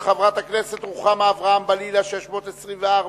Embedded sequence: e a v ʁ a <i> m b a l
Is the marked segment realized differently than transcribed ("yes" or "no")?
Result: yes